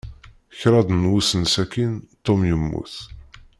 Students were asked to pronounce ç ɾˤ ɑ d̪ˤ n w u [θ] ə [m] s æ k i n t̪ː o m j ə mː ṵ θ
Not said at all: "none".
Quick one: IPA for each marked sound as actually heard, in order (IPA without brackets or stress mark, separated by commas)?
s, n